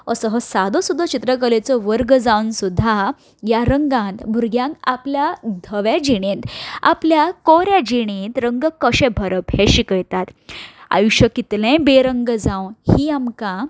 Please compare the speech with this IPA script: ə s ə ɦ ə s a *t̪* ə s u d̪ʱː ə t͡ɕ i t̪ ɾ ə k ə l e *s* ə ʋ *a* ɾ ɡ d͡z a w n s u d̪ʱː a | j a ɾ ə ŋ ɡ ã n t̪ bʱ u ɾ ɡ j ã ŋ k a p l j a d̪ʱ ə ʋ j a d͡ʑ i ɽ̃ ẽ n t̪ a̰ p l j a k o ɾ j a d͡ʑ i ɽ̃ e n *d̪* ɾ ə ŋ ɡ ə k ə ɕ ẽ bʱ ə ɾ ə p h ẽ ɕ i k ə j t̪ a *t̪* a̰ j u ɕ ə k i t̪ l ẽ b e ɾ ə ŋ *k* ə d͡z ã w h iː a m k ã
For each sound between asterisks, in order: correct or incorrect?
incorrect: d̪, incorrect: t͡s, incorrect: ə, incorrect: t̪, correct, incorrect: ɡ

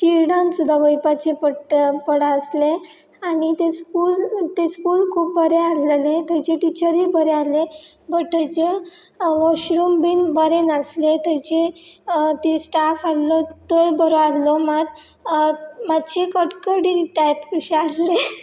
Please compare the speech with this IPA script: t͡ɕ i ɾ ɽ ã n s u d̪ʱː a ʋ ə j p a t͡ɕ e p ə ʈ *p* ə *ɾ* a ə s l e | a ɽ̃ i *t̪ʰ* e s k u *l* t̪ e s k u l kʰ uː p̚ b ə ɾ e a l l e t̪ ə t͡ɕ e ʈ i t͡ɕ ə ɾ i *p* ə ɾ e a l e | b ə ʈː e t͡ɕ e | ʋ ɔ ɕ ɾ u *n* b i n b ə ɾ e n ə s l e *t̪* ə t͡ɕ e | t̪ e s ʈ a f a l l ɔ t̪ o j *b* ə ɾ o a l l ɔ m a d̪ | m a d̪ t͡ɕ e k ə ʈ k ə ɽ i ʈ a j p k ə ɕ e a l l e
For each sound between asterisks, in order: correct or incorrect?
correct, incorrect: ɽ, incorrect: t̪, correct, incorrect: b, incorrect: m, correct, correct

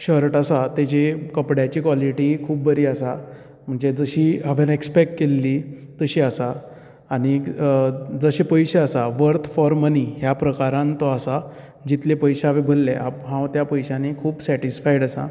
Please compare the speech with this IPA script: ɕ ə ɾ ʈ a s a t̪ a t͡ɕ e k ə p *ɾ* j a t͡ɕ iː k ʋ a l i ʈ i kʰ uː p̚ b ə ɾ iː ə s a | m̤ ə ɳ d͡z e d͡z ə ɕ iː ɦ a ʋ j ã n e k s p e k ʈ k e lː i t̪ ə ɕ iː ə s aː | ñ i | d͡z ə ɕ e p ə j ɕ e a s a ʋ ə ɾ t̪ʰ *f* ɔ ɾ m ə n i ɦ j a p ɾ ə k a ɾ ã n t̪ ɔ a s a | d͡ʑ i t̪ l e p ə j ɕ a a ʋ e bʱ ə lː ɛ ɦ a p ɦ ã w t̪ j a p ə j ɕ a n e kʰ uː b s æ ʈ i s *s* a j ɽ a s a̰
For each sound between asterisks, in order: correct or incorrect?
incorrect: ɽ, correct, incorrect: f

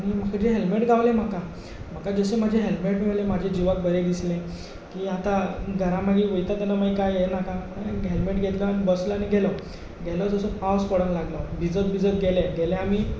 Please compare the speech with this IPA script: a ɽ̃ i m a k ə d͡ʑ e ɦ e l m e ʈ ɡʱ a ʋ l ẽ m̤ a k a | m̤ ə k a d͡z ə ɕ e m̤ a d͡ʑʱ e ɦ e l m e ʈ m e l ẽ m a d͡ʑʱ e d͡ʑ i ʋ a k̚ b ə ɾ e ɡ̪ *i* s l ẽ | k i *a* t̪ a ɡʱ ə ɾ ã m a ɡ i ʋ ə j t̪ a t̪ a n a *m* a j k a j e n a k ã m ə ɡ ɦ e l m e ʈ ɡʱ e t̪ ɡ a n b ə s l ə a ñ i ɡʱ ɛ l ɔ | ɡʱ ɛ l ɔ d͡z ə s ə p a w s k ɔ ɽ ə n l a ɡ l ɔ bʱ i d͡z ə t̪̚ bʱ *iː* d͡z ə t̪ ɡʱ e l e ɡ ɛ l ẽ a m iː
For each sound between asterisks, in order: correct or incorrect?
correct, correct, correct, incorrect: i

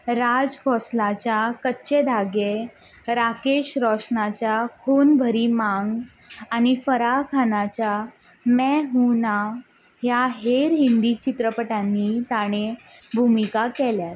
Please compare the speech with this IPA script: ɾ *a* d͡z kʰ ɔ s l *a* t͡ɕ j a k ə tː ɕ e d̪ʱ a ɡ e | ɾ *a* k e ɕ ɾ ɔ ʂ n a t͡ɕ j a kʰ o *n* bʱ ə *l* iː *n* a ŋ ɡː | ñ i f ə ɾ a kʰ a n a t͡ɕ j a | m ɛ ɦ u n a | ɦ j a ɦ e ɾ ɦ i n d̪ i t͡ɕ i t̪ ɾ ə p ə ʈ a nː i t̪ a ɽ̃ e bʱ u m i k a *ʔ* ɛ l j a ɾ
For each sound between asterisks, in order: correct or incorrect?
correct, correct, correct, correct, incorrect: ɾ, incorrect: m, incorrect: k

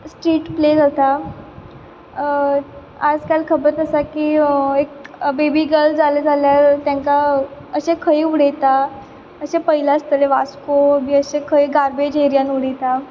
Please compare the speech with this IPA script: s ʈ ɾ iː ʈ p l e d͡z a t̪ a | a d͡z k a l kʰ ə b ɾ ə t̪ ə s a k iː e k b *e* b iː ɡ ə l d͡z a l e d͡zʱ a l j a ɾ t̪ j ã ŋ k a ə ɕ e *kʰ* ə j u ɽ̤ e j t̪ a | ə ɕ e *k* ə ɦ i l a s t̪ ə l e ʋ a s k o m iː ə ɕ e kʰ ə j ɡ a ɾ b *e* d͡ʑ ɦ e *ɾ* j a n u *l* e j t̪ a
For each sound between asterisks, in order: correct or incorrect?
correct, correct, incorrect: p, correct, correct, incorrect: ɽ

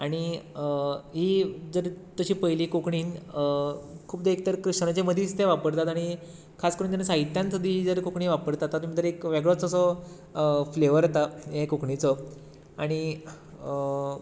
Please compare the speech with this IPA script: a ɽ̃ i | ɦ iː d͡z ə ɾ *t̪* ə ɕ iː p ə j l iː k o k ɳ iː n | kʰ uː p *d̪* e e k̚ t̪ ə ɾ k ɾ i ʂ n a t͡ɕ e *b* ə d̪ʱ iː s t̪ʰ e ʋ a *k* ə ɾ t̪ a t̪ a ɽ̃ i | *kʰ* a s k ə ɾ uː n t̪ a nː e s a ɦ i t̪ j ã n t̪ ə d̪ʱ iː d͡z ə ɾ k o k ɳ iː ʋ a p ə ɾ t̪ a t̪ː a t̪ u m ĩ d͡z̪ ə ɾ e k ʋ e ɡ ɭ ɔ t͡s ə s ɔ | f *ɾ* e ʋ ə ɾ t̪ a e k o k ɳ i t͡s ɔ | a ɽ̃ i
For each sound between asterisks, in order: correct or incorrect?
correct, correct, incorrect: m, incorrect: p, correct, incorrect: l

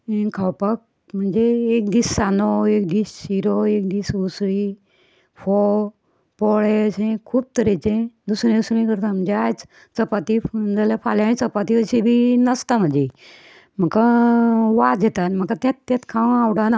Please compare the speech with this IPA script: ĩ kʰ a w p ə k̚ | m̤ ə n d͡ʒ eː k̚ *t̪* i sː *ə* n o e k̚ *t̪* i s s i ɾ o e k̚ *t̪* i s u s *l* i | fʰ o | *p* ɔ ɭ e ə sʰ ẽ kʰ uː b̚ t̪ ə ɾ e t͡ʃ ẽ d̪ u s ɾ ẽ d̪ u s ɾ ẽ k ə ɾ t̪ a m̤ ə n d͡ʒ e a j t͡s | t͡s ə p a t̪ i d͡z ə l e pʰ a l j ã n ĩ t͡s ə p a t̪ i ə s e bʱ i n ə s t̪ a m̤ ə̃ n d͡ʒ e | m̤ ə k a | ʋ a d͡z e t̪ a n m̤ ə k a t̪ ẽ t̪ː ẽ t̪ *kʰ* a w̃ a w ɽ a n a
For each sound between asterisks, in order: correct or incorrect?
incorrect: d̪, incorrect: a, incorrect: d̪, incorrect: d̪, incorrect: ɾ, correct, correct

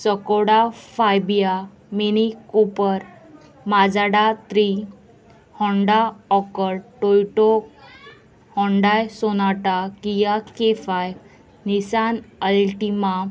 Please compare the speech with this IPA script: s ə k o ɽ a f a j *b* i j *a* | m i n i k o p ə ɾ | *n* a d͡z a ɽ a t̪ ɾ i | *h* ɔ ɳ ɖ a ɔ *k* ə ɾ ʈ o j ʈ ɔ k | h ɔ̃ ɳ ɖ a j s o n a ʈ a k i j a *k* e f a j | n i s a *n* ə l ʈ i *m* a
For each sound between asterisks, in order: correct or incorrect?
correct, correct, incorrect: m, correct, correct, correct, correct, correct

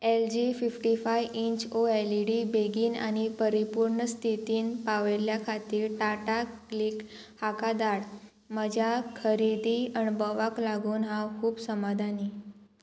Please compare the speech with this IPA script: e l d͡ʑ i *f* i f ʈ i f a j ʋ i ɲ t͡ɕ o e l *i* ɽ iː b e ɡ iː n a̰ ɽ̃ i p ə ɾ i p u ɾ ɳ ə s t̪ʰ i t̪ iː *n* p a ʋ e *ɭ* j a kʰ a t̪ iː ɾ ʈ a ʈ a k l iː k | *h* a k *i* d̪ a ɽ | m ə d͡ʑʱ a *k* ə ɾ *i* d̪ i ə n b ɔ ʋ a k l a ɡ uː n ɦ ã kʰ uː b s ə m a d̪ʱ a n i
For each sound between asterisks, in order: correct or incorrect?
correct, correct, correct, incorrect: l, correct, incorrect: a, incorrect: kʰ, correct

